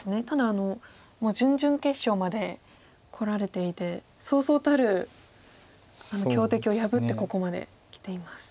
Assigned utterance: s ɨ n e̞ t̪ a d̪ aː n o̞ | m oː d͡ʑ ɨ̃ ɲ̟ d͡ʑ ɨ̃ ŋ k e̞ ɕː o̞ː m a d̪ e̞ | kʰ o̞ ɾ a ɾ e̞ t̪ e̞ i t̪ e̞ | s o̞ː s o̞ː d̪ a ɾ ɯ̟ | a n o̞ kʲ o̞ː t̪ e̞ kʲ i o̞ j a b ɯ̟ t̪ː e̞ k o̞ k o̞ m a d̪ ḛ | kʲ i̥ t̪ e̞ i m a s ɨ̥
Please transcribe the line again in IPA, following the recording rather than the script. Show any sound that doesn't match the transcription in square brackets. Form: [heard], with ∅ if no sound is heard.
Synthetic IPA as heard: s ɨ n e̞ t̪ a d̪ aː n o̞ | m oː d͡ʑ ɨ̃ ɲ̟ d͡ʑ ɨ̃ ŋ k e̞ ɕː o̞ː m a d̪ e̞ | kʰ o̞ ɾ a ɾ e̞ t̪ e̞ i t̪ e̞ | s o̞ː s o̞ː [t̪] a ɾ ɯ̟ | a n o̞ kʲ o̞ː t̪ e̞ kʲ i o̞ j a b ɯ̟ t̪ː e̞ k o̞ k o̞ m a d̪ ḛ | kʲ i̥ t̪ e̞ i m a s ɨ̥